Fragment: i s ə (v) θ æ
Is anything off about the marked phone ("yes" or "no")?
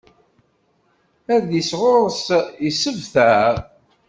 no